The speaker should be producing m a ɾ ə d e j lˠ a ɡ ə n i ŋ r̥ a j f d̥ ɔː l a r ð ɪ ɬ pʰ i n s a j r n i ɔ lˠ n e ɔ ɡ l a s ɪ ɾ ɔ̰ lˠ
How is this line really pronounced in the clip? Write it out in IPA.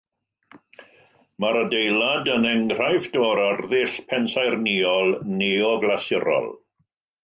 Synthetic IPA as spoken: m a ɾ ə d e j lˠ a d ə n ɛ ŋ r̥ a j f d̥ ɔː ɾ a r ð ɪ ɬ pʰ ɛ n s a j r n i ɔ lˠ n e ɔ ɡ l a s ɪ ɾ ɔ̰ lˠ